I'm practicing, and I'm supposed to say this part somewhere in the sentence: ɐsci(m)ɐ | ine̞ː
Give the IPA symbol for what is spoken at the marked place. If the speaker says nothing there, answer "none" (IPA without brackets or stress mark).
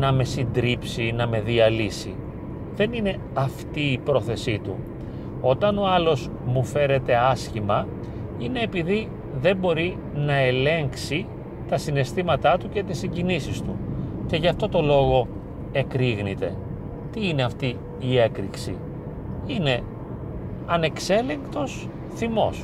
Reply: m